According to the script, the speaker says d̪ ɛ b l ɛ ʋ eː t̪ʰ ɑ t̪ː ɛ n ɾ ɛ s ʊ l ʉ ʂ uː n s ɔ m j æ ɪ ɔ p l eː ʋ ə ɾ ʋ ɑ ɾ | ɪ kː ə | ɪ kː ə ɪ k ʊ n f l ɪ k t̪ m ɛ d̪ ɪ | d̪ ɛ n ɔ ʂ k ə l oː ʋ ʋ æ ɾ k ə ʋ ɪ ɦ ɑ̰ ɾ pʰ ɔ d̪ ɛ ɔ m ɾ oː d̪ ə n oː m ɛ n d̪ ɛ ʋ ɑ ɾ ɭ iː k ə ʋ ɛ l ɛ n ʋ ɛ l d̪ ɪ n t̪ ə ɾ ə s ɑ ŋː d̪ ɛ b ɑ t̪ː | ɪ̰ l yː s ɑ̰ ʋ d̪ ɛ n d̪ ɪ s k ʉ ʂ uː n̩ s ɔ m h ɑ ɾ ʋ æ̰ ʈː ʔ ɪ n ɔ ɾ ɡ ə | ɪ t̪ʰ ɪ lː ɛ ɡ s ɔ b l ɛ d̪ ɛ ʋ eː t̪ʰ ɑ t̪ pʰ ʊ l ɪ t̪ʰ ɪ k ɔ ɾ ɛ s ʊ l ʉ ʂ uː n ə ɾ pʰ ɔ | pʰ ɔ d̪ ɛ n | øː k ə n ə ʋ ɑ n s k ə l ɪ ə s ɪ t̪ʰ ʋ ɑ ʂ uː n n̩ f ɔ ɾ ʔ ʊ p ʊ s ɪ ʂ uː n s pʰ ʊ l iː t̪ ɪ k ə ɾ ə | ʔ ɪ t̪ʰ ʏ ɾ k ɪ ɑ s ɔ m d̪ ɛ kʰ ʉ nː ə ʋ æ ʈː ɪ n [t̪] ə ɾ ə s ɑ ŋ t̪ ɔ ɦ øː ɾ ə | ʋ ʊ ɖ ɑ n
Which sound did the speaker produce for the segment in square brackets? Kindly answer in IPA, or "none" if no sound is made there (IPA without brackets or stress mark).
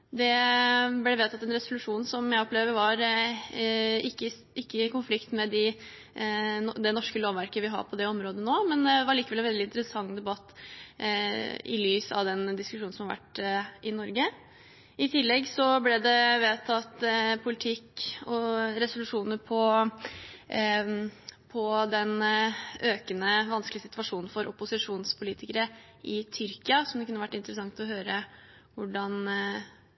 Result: t̪